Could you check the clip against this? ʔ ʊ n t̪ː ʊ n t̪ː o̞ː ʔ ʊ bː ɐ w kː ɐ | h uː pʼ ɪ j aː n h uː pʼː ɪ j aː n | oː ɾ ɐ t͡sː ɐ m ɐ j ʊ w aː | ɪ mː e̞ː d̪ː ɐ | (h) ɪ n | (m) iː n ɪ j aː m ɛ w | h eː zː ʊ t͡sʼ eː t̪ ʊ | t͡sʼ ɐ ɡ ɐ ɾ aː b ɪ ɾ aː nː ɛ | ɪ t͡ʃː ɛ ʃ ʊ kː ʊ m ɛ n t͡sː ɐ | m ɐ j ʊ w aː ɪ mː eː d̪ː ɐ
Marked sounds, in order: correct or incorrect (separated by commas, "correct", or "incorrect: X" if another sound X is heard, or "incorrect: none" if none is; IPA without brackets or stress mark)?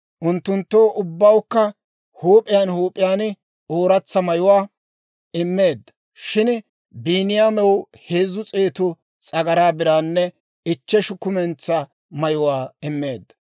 incorrect: ʃ, incorrect: b